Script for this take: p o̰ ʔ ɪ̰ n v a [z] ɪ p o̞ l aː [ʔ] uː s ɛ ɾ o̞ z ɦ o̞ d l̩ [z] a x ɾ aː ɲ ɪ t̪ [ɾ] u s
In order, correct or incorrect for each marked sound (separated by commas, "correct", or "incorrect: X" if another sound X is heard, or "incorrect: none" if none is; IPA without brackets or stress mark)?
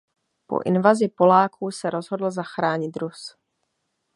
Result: correct, incorrect: k, correct, correct